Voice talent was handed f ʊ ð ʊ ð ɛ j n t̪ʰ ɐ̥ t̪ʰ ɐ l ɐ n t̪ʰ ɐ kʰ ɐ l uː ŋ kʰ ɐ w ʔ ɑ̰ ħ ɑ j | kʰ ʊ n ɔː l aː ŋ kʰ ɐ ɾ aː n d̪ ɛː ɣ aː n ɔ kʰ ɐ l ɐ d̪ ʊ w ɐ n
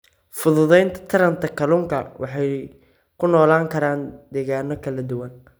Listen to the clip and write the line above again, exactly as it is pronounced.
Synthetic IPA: f ʊ ð ʊ ð ɛ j n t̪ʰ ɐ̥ t̪ʰ ɐ ɾ ɐ n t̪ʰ ɐ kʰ ɐ l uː ŋ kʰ ɐ w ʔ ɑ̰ ħ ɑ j | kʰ ʊ n ɔː l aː ŋ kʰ ɐ ɾ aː n d̪ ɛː ɣ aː n ɔ kʰ ɐ l ɐ d̪ ʊ w ɐ n